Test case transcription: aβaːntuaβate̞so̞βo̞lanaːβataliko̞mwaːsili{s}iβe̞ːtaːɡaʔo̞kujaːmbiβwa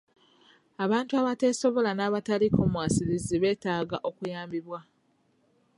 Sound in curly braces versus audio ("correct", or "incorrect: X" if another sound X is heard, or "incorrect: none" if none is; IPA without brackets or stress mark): incorrect: z